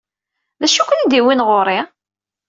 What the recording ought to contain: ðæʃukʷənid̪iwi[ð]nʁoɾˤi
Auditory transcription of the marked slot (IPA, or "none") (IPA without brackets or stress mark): none